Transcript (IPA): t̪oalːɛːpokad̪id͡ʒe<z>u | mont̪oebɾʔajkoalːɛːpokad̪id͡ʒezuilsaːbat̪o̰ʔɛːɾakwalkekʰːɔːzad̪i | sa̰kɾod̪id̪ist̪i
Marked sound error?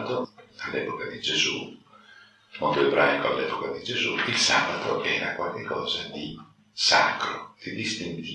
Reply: no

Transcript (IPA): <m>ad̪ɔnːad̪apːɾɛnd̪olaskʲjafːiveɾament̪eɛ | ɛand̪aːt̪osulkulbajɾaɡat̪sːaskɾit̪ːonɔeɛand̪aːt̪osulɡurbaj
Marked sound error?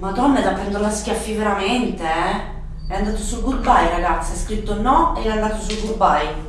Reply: no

